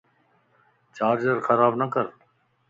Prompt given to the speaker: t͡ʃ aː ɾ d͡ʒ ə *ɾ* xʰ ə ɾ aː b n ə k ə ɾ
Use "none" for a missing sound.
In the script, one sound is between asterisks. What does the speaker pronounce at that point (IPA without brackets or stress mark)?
ɾ